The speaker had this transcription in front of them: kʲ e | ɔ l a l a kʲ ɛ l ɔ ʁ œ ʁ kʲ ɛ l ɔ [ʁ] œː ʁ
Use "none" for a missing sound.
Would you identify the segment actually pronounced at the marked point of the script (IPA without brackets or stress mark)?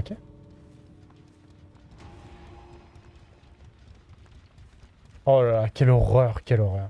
ʁ